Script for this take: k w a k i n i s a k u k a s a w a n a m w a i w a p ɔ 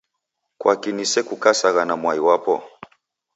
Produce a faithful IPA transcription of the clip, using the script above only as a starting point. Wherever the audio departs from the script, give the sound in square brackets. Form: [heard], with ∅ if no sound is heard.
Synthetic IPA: k w a k i n i s [ɛ] k u k a s a [ɣ] a n a m w a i w a p ɔ